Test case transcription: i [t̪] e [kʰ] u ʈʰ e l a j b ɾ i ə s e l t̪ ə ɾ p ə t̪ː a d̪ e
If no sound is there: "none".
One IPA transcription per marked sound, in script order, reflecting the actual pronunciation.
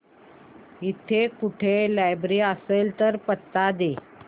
t̪ʰ, k

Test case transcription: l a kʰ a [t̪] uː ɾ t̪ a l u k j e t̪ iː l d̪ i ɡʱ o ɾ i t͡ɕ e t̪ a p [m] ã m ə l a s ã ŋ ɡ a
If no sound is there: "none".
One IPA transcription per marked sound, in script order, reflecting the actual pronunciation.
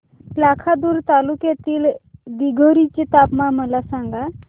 d̪, m

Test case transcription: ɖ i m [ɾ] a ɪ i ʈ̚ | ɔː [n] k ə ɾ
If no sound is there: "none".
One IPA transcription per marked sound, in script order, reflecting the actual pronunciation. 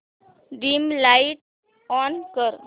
l, n

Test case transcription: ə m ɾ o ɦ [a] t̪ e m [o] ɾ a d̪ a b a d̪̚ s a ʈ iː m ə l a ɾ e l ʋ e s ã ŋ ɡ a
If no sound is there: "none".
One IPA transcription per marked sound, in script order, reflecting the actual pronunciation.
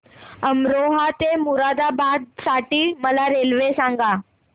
a, u

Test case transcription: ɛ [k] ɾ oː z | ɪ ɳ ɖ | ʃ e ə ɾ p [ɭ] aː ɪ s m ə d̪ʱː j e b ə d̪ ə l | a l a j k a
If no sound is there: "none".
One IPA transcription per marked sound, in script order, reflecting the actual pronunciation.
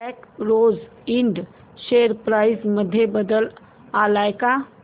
k, ɾ

